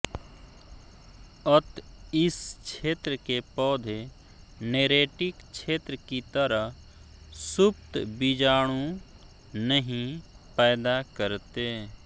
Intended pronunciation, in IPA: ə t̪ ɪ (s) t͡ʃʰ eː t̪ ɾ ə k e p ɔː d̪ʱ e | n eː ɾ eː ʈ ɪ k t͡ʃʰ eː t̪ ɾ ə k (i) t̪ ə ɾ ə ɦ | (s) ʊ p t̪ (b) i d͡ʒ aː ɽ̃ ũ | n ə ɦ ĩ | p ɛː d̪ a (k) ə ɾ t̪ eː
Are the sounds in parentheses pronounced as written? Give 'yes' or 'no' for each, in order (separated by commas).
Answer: yes, yes, yes, yes, yes